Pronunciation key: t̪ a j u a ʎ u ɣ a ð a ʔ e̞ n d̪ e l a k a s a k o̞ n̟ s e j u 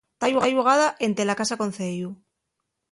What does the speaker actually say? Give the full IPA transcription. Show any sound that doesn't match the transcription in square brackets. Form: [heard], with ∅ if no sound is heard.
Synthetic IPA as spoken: t̪ a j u a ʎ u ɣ a ð a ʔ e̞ n [t̪] e l a k a s a k o̞ n̟ [θ] e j u